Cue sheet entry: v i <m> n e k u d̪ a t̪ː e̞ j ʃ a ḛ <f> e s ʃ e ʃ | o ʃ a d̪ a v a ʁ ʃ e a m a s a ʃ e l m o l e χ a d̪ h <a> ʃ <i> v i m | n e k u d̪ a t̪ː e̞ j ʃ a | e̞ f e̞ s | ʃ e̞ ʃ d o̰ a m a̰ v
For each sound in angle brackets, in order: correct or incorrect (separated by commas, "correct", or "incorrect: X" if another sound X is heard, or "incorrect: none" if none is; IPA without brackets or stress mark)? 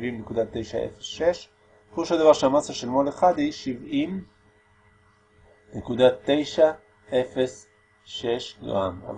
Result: correct, correct, incorrect: i, correct